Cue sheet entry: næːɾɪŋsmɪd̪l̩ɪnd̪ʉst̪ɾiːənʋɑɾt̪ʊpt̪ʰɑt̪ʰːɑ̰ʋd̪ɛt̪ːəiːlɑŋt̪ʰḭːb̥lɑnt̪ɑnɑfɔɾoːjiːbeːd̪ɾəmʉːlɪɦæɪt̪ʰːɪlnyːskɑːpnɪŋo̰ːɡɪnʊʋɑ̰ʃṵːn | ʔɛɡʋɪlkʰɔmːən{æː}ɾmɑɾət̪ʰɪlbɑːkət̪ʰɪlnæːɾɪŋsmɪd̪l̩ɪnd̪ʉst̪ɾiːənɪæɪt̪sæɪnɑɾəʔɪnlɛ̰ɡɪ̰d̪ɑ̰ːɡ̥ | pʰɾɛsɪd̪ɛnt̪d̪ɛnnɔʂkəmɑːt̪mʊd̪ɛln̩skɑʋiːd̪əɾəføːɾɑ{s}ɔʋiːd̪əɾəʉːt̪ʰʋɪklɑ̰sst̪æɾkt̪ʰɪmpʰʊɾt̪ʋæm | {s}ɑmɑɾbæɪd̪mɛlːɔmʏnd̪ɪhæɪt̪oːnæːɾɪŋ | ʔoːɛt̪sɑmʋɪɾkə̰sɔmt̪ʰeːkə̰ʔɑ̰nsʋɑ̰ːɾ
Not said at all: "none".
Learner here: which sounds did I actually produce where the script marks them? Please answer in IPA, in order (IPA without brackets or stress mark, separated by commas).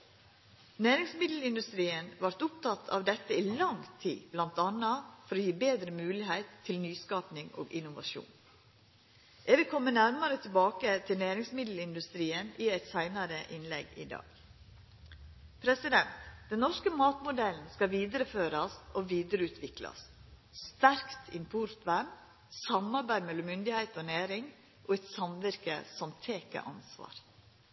æ, s, s